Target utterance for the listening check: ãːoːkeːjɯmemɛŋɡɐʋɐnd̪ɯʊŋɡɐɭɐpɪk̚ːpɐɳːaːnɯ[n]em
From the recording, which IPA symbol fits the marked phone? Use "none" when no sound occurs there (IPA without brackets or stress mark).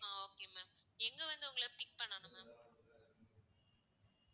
m